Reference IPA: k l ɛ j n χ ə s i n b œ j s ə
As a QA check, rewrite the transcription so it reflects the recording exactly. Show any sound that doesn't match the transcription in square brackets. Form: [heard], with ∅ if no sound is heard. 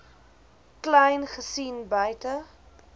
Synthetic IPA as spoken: k l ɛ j n χ ə s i n b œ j [t] ə